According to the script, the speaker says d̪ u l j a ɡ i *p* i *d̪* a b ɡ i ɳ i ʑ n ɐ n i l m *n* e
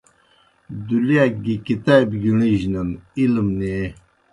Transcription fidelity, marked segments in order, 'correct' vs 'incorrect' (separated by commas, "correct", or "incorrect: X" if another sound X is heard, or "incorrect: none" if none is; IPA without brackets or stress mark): incorrect: k, incorrect: t̪, correct